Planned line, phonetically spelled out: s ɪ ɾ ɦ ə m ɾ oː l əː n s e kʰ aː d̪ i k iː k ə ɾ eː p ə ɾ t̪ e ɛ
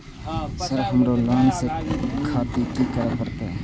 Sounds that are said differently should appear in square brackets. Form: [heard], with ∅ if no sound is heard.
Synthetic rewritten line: s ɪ ɾ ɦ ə m ɾ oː l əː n s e kʰ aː [t̪] i k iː k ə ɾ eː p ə ɾ t̪ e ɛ

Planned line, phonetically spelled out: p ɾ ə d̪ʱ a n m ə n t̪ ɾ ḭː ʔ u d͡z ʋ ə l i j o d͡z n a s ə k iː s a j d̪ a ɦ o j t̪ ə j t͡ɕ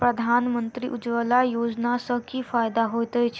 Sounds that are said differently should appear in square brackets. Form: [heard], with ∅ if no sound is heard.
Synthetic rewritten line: p ɾ ə d̪ʱ a n m ə n t̪ ɾ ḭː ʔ u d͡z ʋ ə l [a] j o d͡z n a s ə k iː [f] a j d̪ a ɦ o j t̪ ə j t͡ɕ

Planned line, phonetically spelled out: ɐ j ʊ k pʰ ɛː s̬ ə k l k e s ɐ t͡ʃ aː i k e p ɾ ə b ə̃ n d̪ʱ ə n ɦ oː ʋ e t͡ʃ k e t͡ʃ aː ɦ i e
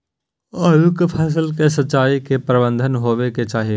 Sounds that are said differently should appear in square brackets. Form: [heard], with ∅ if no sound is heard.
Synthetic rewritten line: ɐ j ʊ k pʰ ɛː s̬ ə [∅] l k e s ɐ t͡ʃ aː i k e p ɾ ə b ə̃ n d̪ʱ ə n ɦ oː ʋ e [∅] k e t͡ʃ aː ɦ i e

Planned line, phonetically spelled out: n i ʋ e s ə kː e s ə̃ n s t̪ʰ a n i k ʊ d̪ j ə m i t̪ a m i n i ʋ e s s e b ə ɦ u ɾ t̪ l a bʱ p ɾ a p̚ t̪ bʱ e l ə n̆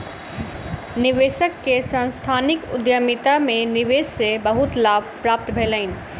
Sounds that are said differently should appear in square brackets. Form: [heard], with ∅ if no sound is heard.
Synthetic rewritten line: n i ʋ e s ə kː e s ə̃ n s t̪ʰ a n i k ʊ d̪ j ə m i t̪ a m [e] n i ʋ e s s e b ə ɦ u [∅] t̪ l a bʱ p ɾ a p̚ t̪ bʱ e l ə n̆

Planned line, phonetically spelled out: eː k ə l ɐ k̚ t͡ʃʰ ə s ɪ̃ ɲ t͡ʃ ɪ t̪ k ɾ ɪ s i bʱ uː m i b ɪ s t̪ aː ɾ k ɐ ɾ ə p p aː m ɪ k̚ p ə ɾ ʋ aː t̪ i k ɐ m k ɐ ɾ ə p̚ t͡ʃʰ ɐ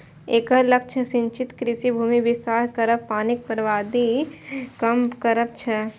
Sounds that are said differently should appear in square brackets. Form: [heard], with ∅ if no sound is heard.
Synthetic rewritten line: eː k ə l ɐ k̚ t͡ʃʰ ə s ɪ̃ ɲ t͡ʃ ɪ t̪ k ɾ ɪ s i bʱ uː m i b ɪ s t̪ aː ɾ k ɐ ɾ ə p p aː [n] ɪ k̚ p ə ɾ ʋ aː [d̪] i k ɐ m k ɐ ɾ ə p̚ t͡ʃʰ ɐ

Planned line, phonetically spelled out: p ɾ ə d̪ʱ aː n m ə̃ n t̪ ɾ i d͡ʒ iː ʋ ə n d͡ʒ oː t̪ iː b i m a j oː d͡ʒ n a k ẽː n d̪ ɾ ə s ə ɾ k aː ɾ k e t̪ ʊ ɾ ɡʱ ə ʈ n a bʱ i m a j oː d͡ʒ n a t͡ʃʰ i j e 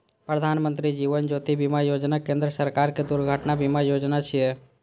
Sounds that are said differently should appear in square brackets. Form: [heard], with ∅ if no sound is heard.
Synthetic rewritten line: p ɾ ə d̪ʱ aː n m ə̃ n t̪ ɾ i d͡ʒ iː ʋ ə n d͡ʒ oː t̪ [i] b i m a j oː d͡ʒ n a k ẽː n d̪ ɾ ə s ə ɾ k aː ɾ k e [d̪] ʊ ɾ ɡʱ ə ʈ n a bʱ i m a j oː d͡ʒ n a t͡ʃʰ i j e

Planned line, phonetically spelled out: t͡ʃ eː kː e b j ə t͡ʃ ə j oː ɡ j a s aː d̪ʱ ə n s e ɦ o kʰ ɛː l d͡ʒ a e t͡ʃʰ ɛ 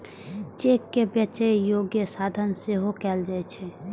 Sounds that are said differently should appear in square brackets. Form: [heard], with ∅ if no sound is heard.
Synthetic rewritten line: t͡ʃ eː kː e b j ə t͡ʃ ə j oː ɡ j [ə] s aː d̪ʱ ə n s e ɦ o [k] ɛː l d͡ʒ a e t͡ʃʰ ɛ

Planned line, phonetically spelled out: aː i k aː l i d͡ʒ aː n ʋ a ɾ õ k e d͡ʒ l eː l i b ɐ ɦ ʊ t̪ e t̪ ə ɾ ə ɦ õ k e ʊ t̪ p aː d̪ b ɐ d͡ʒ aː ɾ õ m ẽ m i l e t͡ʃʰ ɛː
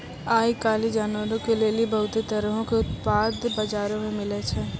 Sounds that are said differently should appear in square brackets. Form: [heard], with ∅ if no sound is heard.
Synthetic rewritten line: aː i k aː l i d͡ʒ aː n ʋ [ə] ɾ õ k e [∅] l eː l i b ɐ ɦ ʊ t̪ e t̪ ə ɾ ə ɦ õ k e ʊ t̪ p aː d̪ b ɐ d͡ʒ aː ɾ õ m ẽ m [ɪ] l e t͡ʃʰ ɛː

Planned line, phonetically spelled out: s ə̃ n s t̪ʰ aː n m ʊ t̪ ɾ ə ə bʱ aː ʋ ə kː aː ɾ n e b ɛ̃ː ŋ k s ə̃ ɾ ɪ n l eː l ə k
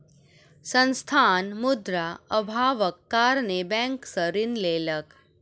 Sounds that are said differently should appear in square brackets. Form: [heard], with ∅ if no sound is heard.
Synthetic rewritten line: s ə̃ n s t̪ʰ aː n m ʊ [d̪] ɾ [a] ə bʱ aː ʋ ə kː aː ɾ n e b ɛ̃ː ŋ k s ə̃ ɾ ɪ n l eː l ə k

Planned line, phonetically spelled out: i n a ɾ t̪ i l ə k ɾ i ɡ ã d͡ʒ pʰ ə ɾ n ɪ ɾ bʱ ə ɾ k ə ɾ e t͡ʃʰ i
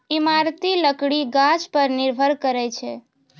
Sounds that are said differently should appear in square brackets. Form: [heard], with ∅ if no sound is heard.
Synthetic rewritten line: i [m] a ɾ t̪ i l ə k [ɽ] i ɡ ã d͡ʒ [p] ə ɾ n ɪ ɾ bʱ ə ɾ k ə ɾ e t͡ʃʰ [e]

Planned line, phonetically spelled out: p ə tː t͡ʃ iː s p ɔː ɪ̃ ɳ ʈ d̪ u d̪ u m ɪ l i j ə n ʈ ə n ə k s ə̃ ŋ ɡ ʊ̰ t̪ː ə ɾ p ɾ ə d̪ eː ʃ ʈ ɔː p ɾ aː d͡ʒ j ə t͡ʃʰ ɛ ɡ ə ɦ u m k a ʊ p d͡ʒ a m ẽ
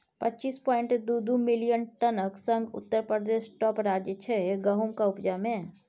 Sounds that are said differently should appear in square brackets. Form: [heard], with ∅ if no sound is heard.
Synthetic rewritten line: p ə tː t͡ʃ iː s p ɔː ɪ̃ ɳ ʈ d̪ u d̪ u m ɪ l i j ə n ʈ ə n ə k s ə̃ ŋ ɡ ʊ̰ t̪ː ə ɾ p ɾ ə d̪ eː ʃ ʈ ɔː p ɾ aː d͡ʒ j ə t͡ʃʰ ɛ ɡ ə ɦ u m k a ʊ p d͡ʒ a m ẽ

